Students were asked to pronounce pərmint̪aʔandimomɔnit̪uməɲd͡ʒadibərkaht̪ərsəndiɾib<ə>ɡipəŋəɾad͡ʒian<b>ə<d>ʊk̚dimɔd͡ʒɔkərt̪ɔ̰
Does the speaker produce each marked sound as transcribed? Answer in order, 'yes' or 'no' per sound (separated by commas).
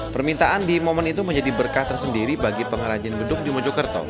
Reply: no, yes, yes